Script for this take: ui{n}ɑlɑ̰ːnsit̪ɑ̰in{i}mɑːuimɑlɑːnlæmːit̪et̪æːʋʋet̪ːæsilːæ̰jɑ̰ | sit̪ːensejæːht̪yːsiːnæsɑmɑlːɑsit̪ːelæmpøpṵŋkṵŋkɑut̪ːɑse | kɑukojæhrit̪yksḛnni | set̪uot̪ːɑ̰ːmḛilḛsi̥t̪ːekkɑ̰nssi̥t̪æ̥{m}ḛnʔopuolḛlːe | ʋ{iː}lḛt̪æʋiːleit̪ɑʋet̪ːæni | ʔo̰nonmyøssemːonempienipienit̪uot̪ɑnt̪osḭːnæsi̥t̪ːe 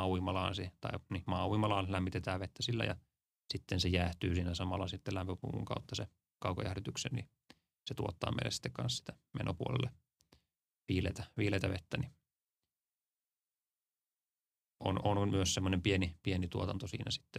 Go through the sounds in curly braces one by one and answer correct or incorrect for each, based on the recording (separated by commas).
incorrect, correct, correct, correct